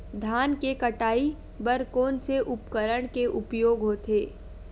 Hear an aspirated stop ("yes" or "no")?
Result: no